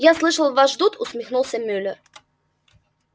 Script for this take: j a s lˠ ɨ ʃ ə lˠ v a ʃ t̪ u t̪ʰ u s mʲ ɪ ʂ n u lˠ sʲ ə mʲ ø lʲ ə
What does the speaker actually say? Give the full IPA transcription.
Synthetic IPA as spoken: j a s lˠ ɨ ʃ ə lˠ v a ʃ d̪ u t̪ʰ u s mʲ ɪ x n u lˠ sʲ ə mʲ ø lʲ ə